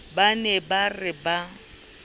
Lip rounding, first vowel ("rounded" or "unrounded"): unrounded